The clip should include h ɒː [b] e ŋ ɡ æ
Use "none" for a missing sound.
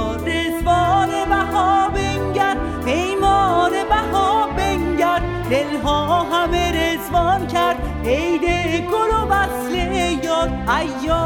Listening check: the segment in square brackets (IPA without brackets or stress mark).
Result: b